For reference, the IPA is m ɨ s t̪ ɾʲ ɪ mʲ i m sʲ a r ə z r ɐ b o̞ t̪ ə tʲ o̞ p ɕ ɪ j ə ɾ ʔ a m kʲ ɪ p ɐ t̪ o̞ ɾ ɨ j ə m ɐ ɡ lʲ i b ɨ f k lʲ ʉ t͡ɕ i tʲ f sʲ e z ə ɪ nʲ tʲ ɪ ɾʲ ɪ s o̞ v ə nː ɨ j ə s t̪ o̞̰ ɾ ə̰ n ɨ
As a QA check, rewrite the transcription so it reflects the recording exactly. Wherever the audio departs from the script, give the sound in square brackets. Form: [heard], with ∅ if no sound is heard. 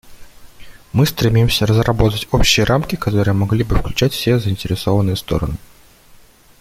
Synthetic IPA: m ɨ s t̪ ɾʲ ɪ mʲ i m sʲ [ə] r ə z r ɐ b o̞ t̪ ə tʲ o̞ p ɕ ɪ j ə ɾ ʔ a m kʲ ɪ [k] ɐ t̪ o̞ ɾ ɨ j ə m ɐ ɡ lʲ i b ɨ f k lʲ ʉ t͡ɕ [æ] tʲ f sʲ e z ə ɪ nʲ tʲ ɪ ɾʲ ɪ s o̞ v ə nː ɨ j ə s t̪ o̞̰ ɾ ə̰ n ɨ